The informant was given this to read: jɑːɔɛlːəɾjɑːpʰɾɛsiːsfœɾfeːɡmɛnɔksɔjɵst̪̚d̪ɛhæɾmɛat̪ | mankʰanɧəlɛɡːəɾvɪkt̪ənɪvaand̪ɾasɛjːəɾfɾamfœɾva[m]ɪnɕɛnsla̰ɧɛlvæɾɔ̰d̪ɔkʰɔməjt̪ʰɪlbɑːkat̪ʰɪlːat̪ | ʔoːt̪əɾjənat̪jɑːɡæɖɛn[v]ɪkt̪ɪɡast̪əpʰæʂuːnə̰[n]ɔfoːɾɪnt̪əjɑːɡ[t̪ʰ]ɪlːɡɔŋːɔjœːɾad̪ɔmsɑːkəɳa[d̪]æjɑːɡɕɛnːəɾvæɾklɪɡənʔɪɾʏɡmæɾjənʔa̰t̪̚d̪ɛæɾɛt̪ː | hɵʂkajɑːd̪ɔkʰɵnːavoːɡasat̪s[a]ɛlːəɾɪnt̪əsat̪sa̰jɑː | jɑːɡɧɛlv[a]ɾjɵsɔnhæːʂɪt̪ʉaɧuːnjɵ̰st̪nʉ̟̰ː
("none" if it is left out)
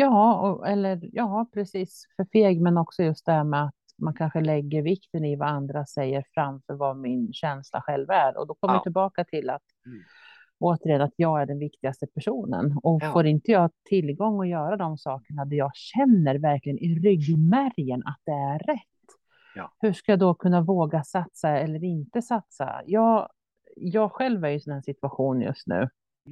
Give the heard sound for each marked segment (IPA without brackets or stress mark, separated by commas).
m, v, n, t̪ʰ, d̪, a, æ